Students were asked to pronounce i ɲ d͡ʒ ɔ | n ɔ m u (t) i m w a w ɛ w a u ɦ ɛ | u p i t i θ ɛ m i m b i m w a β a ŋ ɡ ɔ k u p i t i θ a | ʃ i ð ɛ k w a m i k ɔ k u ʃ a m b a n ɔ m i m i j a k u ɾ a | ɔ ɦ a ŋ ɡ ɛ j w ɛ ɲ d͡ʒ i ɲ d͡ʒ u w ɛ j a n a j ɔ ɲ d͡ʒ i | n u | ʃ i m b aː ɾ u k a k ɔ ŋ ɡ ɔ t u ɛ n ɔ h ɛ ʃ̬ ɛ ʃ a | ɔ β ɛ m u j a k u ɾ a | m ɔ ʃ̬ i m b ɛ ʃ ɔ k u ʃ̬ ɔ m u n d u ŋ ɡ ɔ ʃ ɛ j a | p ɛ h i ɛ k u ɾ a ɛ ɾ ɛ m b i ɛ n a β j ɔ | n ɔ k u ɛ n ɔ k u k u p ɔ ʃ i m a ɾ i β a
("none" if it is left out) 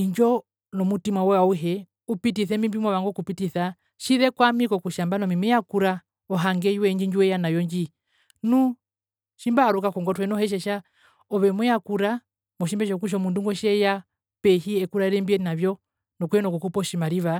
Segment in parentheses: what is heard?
t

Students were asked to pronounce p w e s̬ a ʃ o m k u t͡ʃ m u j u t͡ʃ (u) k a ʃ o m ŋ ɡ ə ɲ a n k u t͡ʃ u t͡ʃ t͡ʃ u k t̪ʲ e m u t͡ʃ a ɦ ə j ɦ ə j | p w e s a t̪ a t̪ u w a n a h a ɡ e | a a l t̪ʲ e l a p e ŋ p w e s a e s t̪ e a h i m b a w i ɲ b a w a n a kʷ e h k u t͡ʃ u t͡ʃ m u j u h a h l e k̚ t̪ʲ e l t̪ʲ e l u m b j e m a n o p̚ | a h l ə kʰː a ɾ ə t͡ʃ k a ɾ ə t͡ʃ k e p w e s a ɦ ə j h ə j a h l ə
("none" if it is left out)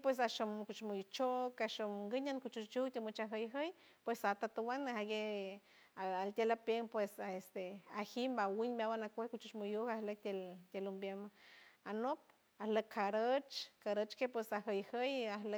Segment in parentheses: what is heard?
o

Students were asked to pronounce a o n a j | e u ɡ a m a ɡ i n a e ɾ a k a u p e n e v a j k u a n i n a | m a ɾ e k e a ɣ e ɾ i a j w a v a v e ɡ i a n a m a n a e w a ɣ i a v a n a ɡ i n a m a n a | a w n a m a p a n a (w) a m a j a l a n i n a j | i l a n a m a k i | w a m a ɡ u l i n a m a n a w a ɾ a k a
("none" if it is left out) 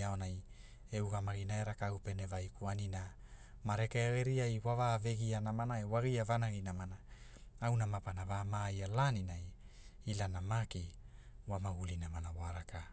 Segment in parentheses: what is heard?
v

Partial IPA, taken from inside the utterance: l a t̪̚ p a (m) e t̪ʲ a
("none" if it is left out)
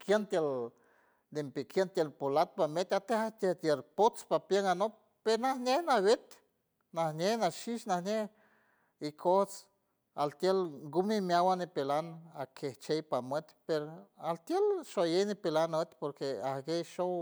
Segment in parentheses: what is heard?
m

